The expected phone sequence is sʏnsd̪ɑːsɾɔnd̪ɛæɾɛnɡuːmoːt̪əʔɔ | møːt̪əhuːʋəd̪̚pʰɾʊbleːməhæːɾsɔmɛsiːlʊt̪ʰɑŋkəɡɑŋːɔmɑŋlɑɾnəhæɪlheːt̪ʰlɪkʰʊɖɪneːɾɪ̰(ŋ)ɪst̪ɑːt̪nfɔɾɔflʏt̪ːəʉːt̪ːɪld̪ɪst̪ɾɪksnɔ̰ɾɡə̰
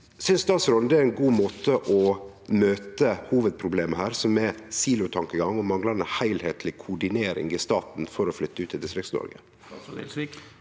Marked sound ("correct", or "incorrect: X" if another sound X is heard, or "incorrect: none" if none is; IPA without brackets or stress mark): correct